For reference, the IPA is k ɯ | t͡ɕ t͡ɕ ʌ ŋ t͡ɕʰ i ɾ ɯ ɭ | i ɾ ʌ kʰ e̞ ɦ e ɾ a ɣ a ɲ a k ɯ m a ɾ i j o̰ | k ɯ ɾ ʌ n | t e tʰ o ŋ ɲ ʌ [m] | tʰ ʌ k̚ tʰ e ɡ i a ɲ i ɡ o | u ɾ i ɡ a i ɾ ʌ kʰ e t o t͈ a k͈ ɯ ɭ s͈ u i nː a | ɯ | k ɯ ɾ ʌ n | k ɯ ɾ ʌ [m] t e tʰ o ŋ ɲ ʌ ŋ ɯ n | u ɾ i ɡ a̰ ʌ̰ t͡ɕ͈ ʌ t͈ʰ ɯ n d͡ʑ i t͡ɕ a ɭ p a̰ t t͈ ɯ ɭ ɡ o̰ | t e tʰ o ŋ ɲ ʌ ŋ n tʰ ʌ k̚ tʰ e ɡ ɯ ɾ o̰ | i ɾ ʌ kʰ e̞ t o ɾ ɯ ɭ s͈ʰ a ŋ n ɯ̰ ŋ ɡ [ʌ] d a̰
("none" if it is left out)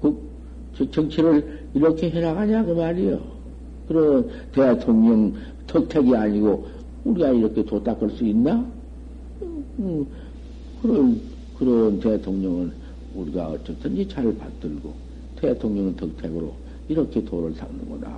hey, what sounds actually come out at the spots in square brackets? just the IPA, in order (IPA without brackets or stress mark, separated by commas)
ŋ, n, ʌ